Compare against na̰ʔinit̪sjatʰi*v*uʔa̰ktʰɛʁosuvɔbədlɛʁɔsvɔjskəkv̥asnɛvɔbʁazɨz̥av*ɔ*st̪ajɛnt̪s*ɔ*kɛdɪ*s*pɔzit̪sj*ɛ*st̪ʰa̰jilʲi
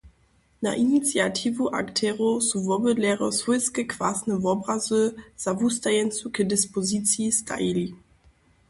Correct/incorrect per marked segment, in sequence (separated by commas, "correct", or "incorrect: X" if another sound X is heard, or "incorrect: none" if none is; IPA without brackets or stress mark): correct, incorrect: u, incorrect: u, correct, incorrect: i